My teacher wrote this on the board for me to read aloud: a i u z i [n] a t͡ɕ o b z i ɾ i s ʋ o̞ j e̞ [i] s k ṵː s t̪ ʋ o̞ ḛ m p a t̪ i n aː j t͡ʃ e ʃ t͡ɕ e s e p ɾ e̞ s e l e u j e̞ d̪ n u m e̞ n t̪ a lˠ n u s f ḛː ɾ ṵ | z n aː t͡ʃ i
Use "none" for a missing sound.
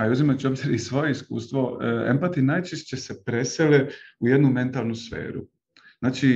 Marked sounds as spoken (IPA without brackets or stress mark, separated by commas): m, i